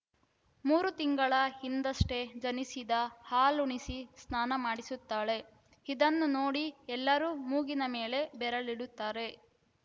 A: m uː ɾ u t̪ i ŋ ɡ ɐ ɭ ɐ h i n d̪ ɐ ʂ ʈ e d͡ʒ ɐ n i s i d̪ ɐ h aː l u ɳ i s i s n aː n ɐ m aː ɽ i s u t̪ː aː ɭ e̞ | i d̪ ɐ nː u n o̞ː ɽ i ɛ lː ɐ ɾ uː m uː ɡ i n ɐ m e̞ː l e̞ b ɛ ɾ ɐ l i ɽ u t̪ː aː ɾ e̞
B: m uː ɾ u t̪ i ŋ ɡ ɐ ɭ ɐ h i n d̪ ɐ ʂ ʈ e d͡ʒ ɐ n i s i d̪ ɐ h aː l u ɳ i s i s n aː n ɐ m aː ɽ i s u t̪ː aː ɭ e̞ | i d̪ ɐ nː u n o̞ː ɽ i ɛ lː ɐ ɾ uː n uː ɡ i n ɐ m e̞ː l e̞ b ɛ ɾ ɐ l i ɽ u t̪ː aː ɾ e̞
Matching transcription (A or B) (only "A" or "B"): A